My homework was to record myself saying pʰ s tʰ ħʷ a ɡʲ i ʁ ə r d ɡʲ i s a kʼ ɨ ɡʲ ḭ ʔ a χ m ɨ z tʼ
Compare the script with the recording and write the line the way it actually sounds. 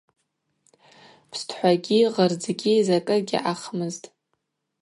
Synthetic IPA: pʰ s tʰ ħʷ a ɡʲ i ʁ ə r d͡z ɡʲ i z a kʼ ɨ ɡʲ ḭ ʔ a χ m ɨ z tʼ